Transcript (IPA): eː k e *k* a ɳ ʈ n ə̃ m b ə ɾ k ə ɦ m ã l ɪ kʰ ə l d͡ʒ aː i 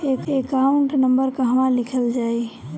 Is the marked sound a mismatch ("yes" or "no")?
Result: no